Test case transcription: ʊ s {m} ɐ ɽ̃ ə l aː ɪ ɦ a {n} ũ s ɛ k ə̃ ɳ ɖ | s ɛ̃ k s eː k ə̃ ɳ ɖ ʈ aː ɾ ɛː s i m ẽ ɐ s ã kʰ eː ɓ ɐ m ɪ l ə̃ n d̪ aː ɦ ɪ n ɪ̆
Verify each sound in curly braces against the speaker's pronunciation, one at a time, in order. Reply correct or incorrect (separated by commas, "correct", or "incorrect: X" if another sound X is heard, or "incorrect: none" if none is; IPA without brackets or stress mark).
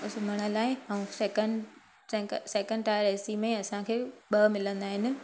correct, incorrect: none